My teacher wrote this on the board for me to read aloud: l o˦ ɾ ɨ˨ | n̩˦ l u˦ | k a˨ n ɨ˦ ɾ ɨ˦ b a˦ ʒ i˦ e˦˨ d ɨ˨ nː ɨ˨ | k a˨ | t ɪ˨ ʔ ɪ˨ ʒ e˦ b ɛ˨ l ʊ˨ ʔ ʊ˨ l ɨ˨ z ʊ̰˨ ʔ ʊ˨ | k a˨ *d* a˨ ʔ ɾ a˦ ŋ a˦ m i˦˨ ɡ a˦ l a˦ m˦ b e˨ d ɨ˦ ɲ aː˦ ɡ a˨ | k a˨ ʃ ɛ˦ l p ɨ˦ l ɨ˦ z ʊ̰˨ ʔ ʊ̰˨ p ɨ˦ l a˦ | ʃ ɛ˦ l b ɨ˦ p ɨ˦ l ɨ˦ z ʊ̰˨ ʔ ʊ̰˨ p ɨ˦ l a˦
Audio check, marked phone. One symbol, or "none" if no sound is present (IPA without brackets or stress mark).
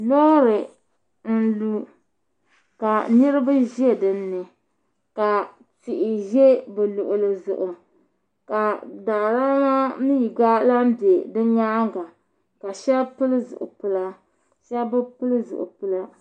d